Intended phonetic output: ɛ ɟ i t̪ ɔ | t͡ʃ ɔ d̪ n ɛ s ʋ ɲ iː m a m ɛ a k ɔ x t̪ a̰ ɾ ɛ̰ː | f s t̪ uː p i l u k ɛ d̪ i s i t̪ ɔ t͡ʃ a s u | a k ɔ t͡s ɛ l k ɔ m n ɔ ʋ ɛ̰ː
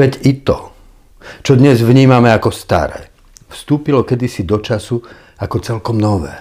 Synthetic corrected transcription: ɛ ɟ i t̪ ɔ | t͡ʃ ɔ d̪ ɲ ɛ z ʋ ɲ iː m a m ɛ a k ɔ s t̪ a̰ ɾ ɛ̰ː | f s t̪ uː p i l ɔ k ɛ d̪ i s i d̪ ɔ t͡ʃ a s u | a k ɔ t͡s ɛ l k ɔ m n ɔ ʋ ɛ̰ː